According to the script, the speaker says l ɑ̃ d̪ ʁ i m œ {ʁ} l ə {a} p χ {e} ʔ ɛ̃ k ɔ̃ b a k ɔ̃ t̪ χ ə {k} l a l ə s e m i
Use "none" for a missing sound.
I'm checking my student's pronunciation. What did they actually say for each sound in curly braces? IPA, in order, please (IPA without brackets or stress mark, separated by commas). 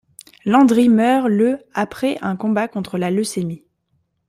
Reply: ʁ, a, ɛ, none